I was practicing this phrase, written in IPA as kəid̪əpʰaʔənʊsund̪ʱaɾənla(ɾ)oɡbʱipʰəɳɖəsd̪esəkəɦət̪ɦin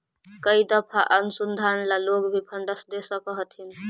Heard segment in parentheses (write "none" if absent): l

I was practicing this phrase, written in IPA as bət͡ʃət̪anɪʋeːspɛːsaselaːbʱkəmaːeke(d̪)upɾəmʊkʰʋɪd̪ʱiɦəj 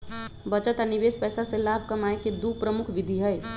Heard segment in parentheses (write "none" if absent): d̪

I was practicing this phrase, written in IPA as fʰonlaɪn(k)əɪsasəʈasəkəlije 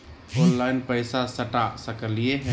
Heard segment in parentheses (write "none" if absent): p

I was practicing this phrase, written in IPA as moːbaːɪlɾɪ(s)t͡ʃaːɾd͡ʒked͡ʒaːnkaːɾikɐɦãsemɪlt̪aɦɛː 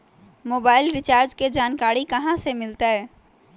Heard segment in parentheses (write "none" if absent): none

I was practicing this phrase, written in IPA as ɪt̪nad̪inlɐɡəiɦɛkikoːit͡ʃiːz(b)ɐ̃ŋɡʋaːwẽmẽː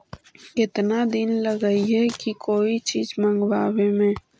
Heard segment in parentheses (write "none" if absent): m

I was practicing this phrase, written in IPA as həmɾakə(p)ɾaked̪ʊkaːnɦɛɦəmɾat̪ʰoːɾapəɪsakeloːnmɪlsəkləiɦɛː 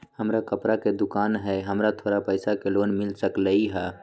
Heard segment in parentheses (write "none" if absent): p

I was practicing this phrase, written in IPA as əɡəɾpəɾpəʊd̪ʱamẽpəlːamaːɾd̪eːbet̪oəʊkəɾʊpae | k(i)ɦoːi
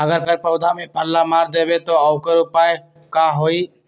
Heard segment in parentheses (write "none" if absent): a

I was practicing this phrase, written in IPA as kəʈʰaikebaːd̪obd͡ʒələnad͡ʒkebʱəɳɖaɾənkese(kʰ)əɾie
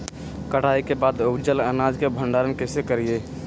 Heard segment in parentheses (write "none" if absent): k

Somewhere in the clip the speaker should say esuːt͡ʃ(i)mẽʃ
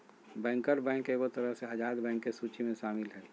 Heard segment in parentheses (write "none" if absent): i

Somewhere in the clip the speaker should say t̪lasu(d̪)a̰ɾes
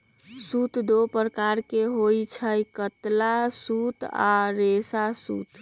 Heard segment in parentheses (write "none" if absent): t̪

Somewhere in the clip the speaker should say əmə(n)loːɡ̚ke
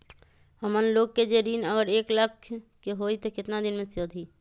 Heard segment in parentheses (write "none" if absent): n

